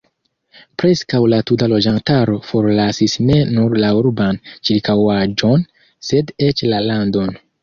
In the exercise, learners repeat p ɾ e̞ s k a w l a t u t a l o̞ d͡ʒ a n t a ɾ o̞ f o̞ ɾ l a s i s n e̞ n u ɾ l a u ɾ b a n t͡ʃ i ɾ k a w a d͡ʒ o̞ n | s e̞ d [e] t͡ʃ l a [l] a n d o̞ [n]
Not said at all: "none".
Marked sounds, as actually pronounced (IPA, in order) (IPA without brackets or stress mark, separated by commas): e, l, n